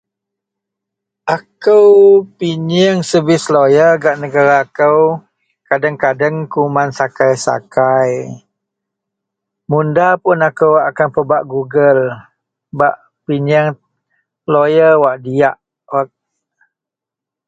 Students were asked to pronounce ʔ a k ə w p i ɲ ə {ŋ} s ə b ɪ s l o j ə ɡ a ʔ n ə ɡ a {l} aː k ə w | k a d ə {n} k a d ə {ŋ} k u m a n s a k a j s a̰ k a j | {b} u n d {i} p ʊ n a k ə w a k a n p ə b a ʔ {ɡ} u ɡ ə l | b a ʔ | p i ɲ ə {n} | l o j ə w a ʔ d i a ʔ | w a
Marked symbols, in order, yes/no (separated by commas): yes, no, no, yes, no, no, yes, no